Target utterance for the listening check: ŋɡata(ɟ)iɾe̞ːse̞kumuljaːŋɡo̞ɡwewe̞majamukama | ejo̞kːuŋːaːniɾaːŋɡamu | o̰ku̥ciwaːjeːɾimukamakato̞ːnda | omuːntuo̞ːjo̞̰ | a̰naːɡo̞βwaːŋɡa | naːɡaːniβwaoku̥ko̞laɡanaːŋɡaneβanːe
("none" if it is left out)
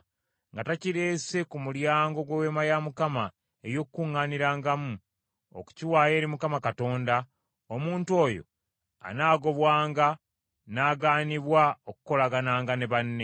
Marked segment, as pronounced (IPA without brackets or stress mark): c